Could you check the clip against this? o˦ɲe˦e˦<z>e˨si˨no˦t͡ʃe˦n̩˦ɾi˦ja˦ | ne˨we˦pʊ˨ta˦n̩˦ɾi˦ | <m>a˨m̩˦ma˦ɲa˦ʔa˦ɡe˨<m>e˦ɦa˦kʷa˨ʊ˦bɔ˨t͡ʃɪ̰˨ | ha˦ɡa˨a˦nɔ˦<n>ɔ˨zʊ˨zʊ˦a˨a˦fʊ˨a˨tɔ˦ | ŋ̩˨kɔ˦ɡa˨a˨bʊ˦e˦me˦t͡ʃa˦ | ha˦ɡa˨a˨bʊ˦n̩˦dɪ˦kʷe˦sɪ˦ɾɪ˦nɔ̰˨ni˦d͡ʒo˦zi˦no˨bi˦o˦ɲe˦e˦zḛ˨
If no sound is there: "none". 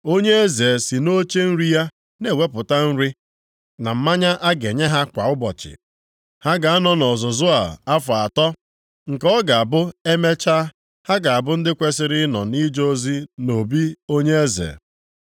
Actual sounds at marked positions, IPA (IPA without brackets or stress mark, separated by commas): z, n, ɲ, n